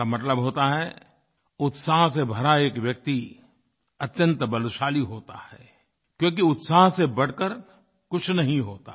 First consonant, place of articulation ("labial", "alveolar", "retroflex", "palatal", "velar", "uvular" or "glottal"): labial